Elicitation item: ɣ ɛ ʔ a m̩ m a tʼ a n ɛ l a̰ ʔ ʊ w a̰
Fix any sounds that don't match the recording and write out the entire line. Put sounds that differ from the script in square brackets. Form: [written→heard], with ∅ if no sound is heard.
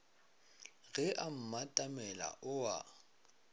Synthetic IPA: ɣ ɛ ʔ a m̩ m a tʼ a [n→m] ɛ l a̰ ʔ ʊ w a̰